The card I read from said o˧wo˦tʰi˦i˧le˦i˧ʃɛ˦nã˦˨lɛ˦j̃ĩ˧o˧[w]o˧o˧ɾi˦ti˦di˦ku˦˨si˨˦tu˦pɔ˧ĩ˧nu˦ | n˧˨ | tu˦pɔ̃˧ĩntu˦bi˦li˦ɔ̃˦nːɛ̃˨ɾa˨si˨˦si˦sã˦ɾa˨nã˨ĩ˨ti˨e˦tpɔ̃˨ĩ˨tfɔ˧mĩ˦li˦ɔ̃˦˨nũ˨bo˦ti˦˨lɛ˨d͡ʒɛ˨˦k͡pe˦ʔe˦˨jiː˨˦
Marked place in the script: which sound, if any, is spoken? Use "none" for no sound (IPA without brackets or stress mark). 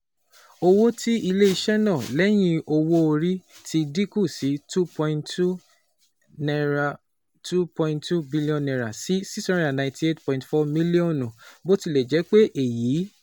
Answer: w